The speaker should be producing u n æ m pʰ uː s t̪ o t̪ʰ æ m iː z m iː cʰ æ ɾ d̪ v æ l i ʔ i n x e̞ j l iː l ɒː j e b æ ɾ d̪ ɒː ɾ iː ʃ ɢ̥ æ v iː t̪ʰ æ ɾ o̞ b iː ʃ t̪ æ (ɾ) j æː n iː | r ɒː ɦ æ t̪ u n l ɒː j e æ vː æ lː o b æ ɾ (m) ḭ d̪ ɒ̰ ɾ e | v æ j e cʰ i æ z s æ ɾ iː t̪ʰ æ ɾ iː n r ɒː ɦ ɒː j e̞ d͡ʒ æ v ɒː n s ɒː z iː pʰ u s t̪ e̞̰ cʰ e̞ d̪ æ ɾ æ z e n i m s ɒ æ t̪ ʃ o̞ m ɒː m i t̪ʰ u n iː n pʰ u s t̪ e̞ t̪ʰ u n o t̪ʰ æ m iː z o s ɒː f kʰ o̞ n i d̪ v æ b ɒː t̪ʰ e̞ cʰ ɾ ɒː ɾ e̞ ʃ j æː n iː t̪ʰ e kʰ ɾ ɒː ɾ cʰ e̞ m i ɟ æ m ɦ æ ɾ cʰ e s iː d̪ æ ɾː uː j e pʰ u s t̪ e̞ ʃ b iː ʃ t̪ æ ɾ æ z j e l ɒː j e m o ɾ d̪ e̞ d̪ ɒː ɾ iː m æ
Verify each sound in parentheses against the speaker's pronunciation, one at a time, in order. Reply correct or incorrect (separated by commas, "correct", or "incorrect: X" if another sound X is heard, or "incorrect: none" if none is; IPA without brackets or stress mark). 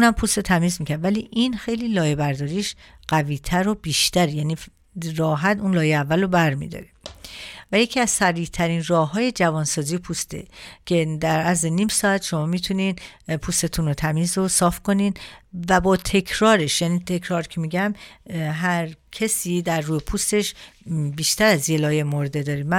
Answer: correct, correct